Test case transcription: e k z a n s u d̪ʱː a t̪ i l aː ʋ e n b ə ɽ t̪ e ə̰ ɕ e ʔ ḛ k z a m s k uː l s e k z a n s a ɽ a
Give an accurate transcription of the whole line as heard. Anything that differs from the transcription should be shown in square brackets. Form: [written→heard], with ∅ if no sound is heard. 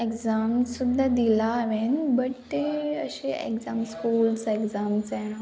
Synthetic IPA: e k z a [n→m] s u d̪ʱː a [t̪→d̪] i l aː ʋ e n b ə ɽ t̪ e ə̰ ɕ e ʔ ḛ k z a m s k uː l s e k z a [n→m] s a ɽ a